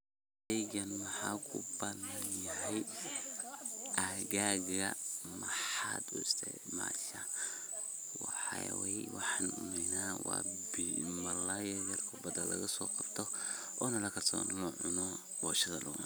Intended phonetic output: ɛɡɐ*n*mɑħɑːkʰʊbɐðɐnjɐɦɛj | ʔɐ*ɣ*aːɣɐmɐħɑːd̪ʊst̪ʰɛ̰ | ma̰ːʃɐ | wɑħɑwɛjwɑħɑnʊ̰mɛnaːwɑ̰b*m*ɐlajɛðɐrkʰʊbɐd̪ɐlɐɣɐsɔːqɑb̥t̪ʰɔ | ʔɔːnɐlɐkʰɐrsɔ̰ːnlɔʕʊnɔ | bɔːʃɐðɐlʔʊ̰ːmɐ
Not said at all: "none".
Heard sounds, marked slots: n, ɣ, m

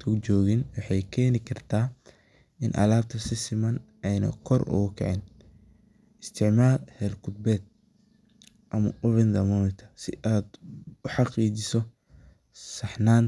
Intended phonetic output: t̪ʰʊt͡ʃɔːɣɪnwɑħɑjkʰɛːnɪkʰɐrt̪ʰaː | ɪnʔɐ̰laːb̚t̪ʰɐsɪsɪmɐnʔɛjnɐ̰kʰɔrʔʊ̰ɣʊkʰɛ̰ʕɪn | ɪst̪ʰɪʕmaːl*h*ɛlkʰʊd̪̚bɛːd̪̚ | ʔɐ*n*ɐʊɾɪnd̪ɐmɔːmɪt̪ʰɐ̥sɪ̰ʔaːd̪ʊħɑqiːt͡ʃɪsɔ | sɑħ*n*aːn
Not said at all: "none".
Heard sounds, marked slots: h, m, n

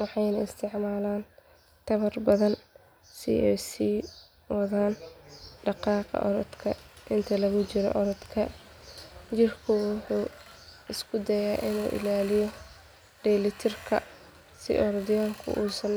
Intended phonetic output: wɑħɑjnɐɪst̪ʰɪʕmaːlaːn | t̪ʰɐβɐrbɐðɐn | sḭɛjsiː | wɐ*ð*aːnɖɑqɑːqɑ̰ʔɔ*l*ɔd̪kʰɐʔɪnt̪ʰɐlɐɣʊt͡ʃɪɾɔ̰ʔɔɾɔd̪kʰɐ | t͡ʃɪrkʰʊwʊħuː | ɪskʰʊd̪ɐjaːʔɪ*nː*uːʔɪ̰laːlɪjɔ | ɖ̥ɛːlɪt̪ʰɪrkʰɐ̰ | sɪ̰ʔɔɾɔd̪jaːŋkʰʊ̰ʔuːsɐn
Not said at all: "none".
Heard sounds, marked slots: ð, ɾ, n

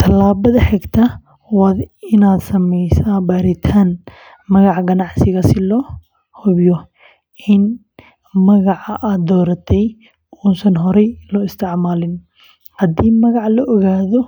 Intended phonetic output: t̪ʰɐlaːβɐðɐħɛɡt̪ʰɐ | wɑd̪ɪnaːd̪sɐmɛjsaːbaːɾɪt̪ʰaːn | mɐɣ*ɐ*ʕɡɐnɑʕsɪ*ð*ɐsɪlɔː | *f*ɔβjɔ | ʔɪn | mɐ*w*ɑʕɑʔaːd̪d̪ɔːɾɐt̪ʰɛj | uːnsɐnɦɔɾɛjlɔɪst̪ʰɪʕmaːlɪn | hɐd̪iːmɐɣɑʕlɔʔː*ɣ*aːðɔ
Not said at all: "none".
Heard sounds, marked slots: ɑ, ɣ, h, ɣ, ɣ

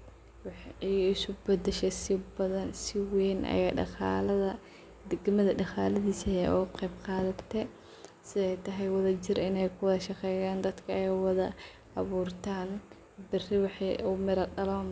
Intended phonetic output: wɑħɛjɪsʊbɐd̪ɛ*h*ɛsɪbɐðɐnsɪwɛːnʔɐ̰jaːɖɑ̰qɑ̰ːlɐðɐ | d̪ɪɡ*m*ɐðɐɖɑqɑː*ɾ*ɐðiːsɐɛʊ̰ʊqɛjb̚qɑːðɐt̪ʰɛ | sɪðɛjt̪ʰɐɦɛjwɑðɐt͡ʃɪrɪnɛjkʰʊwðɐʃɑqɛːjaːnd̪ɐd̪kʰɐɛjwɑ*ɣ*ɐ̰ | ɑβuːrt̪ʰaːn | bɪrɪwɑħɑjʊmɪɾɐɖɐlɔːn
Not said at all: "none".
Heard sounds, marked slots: ʃ, m, l, ð

